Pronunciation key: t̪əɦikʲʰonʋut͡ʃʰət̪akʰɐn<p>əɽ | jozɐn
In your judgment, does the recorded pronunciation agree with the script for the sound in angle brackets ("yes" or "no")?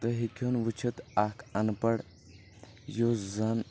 yes